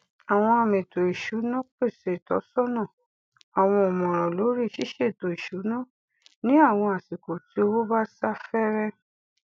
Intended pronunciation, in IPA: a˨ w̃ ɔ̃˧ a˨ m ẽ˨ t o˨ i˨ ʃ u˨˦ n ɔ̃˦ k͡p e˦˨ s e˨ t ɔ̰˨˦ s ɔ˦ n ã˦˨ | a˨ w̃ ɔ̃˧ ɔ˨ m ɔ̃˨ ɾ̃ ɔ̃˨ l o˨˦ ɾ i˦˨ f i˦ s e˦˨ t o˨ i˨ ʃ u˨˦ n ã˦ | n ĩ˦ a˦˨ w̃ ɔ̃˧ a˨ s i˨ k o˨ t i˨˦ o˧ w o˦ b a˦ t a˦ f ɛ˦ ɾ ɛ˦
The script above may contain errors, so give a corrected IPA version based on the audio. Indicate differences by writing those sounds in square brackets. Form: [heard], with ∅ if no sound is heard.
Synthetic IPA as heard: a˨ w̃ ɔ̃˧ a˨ m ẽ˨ t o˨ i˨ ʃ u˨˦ n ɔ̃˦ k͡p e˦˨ s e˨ t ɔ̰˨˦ s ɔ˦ n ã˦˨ | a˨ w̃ ɔ̃˧ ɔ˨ m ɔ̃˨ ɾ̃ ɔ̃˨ l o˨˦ ɾ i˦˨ [ʃ] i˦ [ʃ] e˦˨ t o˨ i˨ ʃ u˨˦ n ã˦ | n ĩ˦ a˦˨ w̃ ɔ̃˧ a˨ s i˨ k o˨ t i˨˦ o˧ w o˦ b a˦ [s] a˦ f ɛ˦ ɾ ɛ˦